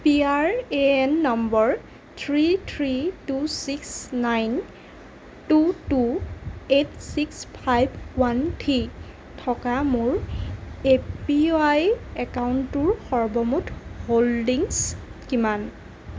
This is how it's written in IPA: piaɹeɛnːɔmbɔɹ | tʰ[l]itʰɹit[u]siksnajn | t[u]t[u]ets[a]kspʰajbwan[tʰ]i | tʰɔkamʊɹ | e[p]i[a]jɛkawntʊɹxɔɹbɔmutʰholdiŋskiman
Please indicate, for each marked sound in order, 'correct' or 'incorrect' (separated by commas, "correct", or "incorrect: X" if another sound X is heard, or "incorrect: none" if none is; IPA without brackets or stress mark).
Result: incorrect: ɹ, correct, correct, correct, incorrect: i, correct, correct, correct